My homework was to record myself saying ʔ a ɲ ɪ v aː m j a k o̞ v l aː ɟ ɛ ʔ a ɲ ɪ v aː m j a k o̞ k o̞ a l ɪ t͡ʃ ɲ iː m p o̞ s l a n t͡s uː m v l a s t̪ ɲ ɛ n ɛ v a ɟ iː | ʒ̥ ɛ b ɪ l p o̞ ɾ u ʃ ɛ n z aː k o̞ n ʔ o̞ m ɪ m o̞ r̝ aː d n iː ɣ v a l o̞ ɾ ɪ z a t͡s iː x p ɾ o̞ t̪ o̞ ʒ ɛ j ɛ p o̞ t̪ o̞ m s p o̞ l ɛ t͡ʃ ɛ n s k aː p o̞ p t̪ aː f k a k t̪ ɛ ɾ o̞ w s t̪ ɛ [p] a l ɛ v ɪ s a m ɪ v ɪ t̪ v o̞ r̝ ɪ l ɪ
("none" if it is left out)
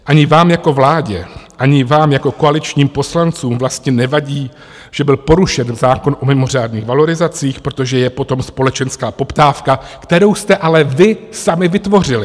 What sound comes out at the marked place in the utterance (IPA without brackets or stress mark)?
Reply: ʔ